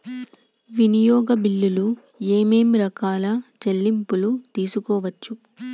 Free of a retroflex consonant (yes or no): yes